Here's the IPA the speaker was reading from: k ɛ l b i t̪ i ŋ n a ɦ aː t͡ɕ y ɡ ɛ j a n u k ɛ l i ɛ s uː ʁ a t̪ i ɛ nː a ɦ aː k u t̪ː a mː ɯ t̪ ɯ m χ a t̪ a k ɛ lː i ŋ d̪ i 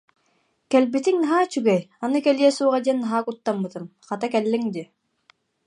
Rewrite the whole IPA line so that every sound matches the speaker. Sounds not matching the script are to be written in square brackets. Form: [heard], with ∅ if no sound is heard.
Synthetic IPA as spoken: k ɛ l b i t̪ i ŋ n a ɦ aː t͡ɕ y ɡ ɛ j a n [ɯ] k ɛ l i ɛ s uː ʁ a [d̪] i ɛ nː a ɦ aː k u t̪ː a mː ɯ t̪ ɯ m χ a t̪ a k ɛ lː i ŋ d̪ i